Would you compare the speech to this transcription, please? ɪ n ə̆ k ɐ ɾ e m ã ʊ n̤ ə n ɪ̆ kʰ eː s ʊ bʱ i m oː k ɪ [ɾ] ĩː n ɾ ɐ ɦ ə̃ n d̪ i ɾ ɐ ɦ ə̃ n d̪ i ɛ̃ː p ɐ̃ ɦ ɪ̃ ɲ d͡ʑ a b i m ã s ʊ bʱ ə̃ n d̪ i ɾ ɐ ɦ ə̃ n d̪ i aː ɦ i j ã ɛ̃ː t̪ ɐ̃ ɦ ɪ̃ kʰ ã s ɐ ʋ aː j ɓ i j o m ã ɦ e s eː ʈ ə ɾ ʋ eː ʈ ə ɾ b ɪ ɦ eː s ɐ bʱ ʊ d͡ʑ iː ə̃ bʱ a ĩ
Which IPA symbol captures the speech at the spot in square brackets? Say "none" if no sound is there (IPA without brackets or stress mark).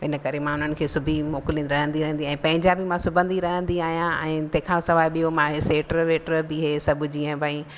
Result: l